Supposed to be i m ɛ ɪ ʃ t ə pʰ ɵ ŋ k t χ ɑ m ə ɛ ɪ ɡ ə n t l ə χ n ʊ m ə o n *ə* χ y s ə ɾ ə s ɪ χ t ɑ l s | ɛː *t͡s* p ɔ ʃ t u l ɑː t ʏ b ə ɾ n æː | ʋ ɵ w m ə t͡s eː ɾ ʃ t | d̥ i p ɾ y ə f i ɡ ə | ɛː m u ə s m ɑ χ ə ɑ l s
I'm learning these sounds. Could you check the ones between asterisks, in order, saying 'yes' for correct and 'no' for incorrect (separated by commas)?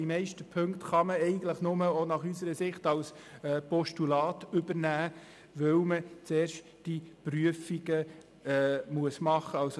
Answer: no, no